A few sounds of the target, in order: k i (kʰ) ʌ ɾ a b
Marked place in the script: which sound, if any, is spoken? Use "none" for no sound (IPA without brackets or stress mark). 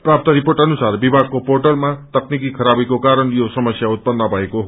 kʰ